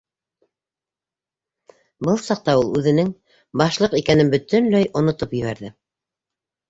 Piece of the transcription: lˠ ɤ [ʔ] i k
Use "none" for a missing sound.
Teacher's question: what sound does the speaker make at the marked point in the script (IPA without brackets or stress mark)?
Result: q